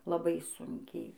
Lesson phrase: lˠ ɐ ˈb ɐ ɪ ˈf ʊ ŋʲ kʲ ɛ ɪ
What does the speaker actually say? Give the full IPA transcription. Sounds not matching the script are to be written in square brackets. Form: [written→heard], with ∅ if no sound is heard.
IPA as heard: lˠ ɐ ˈb ɐ ɪ [ˈf→ˈs] ʊ ŋʲ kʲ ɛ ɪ